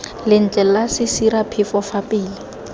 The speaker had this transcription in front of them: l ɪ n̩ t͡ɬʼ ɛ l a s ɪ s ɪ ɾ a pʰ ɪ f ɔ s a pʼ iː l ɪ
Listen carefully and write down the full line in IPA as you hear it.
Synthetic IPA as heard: l ɪ n̩ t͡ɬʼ ɛ l a s ɪ s i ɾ a pʰ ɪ f ɔ f a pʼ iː l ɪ